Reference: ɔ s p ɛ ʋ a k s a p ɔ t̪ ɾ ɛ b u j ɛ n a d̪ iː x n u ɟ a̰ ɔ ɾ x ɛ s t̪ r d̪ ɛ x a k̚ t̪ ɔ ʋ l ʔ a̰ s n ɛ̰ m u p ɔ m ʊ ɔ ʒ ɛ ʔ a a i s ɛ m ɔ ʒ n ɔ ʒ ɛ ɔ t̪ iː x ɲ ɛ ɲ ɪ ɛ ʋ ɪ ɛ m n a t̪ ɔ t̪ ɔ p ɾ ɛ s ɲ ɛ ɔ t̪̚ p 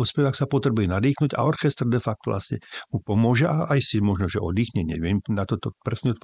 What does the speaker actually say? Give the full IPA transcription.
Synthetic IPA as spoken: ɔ s p ɛ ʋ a k s a p ɔ t̪ ɾ ɛ b u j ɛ n a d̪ iː x n u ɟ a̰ ɔ ɾ x ɛ s t̪ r d̪ ɛ f a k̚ t̪ ɔ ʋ l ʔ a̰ s ɲ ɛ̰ m u p ɔ m ʊ ɔ ʒ ɛ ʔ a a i s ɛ m ɔ ʒ n ɔ ʒ ɛ ɔ d̪ iː x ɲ ɛ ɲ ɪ ɛ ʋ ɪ ɛ m n a t̪ ɔ t̪ ɔ p ɾ ɛ s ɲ ɛ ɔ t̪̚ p